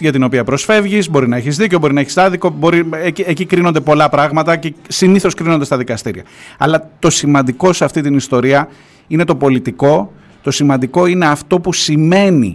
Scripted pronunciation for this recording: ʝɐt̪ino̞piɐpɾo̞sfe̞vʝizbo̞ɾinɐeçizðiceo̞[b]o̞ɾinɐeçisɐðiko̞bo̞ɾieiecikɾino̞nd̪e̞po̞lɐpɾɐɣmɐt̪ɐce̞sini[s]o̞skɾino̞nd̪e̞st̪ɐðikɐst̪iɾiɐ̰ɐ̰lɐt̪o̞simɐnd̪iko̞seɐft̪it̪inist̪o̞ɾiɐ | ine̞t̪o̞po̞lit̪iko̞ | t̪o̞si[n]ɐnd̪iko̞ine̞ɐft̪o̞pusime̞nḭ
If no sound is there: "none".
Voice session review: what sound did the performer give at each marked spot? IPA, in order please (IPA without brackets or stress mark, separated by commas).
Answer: b, θ, m